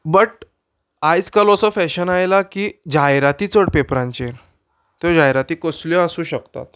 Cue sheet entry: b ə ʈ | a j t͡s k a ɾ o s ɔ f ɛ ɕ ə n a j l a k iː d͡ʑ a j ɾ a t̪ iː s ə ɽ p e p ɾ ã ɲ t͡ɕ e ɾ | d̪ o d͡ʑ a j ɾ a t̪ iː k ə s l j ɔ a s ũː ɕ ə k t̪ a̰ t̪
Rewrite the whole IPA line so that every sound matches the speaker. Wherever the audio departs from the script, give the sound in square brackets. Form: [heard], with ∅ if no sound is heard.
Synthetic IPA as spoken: b ə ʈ | a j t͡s k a [l] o s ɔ f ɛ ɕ ə n a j l a k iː d͡ʑ a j ɾ a t̪ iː [t͡s] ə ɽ p e p ɾ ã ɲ t͡ɕ e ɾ | [t̪] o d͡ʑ a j ɾ a t̪ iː k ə s l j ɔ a s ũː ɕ ə k t̪ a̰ t̪